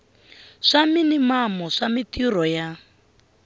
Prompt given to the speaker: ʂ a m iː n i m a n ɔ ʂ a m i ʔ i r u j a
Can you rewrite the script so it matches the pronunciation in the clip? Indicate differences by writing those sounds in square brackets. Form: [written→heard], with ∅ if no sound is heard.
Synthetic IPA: ʂ a m [iː→i] n i m a [n→m] ɔ ʂ a m i [ʔ→t] i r [u→ɔ] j a